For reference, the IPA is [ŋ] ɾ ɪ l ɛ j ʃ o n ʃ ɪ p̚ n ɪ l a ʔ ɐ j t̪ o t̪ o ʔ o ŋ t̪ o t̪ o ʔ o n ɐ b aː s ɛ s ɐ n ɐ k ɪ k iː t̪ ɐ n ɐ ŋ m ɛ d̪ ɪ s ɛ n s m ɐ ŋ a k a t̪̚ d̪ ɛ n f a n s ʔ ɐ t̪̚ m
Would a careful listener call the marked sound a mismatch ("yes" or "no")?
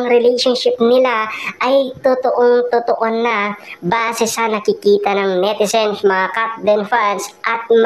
no